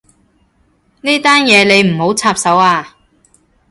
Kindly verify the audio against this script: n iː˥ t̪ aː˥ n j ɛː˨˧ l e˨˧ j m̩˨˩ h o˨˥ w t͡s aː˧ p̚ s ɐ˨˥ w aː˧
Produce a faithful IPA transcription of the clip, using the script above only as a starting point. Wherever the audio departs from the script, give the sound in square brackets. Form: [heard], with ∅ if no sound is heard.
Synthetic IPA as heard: n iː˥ t̪ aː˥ n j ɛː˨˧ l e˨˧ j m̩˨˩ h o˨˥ w [t͡sʰ] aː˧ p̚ s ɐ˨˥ w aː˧